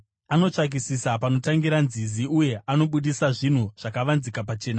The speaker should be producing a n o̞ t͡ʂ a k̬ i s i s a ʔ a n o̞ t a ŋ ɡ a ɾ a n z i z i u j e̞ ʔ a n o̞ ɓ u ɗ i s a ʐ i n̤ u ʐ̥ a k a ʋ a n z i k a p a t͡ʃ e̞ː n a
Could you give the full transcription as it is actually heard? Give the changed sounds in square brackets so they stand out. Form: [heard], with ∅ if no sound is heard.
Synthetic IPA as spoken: a n o̞ t͡ʂ a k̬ i s i s a [p] a n o̞ t a ŋ ɡ [i] ɾ a n z i z i u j e̞ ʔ a n o̞ ɓ u ɗ i s a ʐ i n̤ u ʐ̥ a k a ʋ a n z i k a p a t͡ʃ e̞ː n a